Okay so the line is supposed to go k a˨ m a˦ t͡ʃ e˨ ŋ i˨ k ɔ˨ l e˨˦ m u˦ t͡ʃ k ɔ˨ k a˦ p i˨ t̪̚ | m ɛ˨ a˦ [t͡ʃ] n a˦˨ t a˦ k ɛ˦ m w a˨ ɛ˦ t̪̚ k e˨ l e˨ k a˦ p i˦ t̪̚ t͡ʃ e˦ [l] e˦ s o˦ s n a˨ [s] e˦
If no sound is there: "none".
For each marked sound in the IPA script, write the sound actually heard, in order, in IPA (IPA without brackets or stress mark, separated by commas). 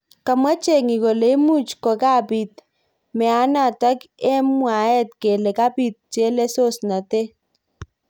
none, l, t